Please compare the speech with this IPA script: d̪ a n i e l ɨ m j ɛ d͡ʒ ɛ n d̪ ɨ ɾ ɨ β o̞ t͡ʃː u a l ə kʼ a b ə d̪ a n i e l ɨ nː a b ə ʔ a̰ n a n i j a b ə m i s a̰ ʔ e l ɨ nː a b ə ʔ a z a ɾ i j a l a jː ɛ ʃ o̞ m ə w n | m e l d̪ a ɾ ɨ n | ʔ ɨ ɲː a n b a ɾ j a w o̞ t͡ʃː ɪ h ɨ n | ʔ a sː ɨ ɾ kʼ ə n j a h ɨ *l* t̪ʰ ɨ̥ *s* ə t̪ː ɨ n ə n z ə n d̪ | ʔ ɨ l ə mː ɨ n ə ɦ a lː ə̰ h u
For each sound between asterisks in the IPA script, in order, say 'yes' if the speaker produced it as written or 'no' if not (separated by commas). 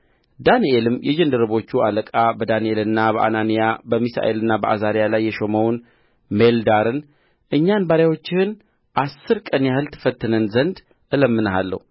yes, no